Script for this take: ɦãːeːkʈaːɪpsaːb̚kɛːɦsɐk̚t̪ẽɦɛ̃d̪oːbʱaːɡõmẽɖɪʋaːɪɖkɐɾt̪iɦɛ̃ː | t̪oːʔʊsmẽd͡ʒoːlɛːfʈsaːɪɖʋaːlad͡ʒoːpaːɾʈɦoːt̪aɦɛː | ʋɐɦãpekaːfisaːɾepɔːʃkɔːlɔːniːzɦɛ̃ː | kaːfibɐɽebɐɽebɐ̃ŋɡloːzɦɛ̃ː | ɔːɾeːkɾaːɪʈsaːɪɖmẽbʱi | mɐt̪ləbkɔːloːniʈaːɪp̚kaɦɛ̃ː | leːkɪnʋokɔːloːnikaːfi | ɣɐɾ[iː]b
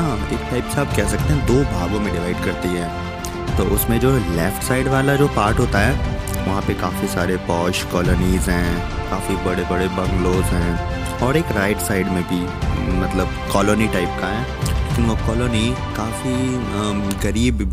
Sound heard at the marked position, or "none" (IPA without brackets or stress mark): iː